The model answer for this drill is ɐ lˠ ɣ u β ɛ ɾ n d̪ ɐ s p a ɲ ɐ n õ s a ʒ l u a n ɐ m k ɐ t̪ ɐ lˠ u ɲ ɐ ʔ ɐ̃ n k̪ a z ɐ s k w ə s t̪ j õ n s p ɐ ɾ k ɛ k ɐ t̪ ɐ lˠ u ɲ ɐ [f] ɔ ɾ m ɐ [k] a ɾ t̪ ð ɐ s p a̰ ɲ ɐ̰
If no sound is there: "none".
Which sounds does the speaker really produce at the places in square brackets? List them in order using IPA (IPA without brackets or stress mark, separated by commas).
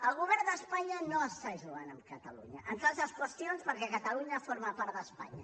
f, p